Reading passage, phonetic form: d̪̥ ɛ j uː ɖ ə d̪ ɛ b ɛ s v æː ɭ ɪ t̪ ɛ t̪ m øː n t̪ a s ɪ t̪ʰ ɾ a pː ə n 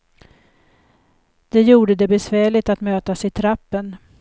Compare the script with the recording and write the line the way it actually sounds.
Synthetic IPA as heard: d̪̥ ɛ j uː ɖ ə d̪ ɛ b ɛ s v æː ɭ ɪ t̪ a t̪ m øː t̪ a s ɪ t̪ʰ ɾ a pː ə n

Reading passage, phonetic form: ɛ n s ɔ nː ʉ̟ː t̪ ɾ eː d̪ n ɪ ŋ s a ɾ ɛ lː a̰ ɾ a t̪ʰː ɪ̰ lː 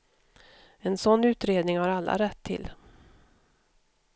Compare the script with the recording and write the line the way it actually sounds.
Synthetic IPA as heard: ɛ n s ɔ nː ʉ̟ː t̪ ɾ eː d̪ n ɪ ŋ h a ɾ a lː a̰ ɾ ɛ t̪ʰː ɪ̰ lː

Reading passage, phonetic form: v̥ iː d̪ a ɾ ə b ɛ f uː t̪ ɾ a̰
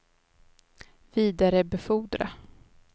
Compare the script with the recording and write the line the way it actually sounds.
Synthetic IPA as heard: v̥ iː d̪ a ɾ ə b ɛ f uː d̪ ɾ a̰

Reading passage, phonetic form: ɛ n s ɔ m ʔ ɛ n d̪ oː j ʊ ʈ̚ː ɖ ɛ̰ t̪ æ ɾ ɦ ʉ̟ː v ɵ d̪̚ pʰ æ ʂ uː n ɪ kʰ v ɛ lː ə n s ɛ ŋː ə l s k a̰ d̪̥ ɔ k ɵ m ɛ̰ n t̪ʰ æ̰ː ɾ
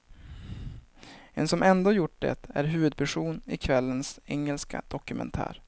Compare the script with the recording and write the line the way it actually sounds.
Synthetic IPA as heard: ɛ n s ɔ m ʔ ɛ n d̪ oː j ʊ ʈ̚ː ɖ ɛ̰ t̪ æ ɾ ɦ ʉ̟ː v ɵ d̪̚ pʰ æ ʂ uː n ɪ kʰ v ɛ lː ə n s ɛ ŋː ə l s k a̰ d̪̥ ɔ k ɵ m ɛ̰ n t̪ʰ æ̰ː ɾ

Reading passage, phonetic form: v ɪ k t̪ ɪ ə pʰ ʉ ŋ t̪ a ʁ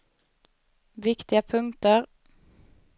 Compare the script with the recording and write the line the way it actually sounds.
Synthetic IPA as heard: ʋ ɪ k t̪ ɪ ə pʰ ʉ ŋ t̪ ə ʁ

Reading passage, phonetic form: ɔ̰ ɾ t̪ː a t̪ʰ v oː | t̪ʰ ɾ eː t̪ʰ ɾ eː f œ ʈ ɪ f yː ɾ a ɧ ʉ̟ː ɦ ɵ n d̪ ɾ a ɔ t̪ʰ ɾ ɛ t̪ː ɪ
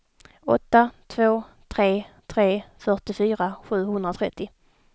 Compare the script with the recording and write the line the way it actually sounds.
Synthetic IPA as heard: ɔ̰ t̪ː a t̪ʰ v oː | t̪ʰ ɾ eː t̪ʰ ɾ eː f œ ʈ ɪ f yː ɾ a ɧ ʉ̟ː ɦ ɵ n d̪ ɾ a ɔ t̪ʰ ɾ ɛ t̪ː ɪ

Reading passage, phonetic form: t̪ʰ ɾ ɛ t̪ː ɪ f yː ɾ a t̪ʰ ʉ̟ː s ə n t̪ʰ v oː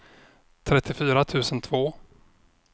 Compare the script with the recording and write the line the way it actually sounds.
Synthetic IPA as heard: t̪ʰ ɾ ɛ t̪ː ɪ f yː ɾ a t̪ʰ ʉ̟ː s ə n t̪ʰ v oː

